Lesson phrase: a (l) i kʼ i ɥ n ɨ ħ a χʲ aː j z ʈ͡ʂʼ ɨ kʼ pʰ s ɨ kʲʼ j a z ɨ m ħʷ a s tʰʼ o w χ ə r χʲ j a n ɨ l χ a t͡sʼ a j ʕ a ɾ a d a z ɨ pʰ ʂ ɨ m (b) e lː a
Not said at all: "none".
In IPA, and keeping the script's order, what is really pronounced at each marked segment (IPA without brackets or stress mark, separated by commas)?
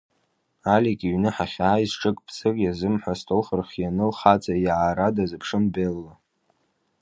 l, b